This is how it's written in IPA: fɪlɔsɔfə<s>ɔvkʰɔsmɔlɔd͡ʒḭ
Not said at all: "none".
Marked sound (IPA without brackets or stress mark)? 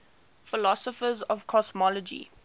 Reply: z